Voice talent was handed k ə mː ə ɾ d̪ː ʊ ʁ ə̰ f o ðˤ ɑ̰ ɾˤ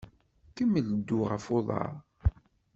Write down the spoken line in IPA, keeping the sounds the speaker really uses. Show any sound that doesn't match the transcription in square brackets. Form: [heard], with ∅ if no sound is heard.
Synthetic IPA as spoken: k ə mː ə [l] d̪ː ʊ ʁ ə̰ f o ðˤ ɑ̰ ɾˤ